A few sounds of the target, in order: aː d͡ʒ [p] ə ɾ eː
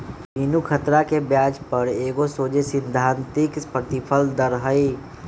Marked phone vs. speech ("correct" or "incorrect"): correct